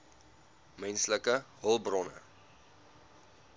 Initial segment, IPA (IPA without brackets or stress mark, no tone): m